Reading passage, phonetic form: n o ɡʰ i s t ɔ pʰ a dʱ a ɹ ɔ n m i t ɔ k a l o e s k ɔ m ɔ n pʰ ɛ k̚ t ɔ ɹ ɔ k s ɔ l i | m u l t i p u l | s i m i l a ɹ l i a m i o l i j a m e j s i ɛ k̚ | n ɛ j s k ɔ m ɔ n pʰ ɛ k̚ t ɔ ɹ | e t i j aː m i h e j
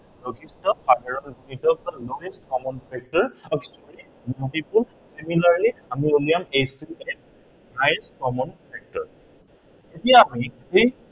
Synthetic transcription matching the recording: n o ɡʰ i s t ɔ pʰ a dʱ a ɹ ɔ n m i t ɔ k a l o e s k ɔ m ɔ n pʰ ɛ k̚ t ɔ ɹ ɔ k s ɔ l i | m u l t i p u l | s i m i l a ɹ l i a m i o l i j a m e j s i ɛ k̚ | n a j s k ɔ m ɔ n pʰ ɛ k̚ t ɔ ɹ | e t i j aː m i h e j